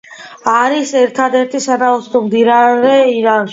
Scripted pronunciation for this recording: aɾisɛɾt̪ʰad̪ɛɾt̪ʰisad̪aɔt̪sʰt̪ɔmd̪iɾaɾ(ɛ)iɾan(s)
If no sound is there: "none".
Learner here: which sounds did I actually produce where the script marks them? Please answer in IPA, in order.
ɛ, ʃ

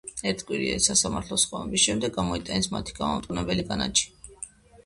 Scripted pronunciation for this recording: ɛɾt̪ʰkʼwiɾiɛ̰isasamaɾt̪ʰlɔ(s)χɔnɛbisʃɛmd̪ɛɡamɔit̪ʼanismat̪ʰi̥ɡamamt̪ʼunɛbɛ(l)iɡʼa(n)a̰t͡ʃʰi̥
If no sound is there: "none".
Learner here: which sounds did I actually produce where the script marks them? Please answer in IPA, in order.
s, l, n

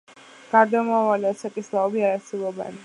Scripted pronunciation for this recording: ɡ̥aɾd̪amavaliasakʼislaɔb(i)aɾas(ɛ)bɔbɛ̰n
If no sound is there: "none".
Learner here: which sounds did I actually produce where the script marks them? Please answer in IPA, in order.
i, ɛ

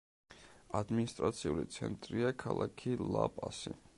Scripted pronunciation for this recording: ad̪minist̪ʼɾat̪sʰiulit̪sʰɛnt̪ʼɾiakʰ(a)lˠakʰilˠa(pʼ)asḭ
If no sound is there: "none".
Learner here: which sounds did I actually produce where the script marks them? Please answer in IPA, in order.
a, pʼ

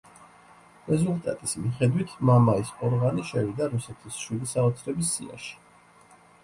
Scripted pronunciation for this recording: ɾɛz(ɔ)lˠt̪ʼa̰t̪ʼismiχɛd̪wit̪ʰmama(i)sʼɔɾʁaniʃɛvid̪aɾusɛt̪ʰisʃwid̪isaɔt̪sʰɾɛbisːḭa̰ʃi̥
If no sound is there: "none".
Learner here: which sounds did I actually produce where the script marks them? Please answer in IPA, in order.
u, i

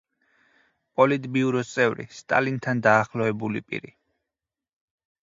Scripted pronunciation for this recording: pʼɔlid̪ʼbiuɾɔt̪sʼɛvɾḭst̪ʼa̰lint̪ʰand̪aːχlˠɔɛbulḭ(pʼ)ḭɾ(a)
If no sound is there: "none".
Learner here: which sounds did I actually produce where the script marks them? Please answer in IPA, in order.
pʼ, i

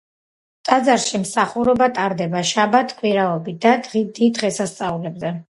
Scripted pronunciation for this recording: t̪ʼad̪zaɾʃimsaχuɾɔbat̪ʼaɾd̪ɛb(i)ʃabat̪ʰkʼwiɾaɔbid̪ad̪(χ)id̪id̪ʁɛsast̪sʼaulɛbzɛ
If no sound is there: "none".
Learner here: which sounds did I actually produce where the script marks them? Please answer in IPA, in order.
a, ʁ

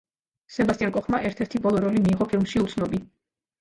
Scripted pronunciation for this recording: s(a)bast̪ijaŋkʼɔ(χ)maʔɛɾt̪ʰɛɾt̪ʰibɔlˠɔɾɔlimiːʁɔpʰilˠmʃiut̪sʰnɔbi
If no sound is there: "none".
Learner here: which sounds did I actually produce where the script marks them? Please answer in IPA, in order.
ɛ, χ

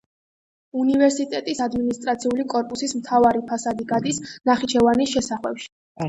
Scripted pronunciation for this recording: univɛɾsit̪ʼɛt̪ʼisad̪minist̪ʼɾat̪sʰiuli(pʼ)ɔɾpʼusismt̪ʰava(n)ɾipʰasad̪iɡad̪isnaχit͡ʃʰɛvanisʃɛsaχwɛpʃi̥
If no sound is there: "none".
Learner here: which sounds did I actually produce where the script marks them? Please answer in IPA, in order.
kʼ, none

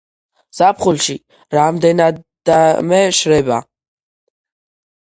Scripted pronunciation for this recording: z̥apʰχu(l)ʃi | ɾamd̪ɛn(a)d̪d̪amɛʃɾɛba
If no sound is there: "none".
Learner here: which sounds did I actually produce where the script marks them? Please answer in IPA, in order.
l, a

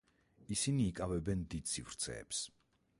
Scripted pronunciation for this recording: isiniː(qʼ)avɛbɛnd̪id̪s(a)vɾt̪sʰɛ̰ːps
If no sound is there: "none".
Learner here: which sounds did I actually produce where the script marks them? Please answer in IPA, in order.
kʼ, i

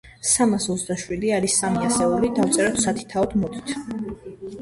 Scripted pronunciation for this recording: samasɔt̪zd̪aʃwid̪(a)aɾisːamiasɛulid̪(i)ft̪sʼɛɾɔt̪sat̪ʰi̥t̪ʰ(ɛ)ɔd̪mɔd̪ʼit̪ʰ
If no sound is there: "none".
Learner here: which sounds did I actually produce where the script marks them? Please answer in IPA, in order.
i, a, a

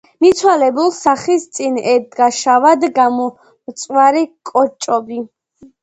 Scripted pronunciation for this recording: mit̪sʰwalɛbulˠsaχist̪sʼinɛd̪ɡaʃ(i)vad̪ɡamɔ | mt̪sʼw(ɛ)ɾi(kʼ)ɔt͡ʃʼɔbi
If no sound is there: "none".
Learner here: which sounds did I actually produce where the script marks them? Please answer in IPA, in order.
a, a, kʼ

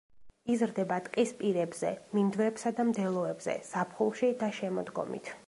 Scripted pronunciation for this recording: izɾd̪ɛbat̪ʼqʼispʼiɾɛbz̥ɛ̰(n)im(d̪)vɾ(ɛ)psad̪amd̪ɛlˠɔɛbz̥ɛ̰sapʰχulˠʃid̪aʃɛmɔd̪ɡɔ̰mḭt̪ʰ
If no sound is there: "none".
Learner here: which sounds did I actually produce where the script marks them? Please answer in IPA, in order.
m, d̪, ɛ

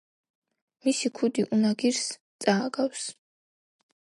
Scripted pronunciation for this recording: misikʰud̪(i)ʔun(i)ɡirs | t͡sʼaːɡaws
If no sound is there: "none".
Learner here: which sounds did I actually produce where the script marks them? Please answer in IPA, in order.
i, a

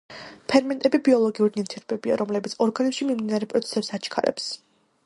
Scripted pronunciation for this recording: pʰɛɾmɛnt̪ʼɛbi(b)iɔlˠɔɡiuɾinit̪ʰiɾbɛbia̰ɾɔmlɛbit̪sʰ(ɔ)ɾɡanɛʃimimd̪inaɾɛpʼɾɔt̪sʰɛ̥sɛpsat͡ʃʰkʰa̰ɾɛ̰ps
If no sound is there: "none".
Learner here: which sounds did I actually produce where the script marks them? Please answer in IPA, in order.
b, ɔ

